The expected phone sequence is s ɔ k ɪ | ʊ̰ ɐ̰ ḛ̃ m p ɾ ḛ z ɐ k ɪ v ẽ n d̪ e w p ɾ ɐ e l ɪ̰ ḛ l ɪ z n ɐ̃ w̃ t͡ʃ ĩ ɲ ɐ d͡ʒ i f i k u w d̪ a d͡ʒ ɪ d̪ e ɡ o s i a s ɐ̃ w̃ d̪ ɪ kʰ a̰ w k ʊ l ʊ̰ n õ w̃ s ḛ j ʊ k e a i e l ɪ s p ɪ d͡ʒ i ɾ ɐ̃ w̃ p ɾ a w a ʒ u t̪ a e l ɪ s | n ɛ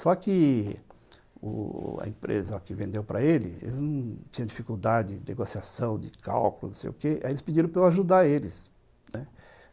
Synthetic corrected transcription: s ɔ k ɪ | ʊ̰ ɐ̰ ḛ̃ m p ɾ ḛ z ɐ k ɪ v ẽ n d̪ e w p ɾ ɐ e l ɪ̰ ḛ l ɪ z n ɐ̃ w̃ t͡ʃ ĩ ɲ ɐ̃ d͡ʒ i f i k u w d̪ a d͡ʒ ɪ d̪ e ɡ o s i a s ɐ̃ w̃ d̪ ɪ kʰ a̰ w k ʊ l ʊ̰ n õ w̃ s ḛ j ʊ k e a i e l ɪ s p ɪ d͡ʒ i ɾ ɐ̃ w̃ p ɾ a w a ʒ u d̪ a e l ɪ s | n ɛ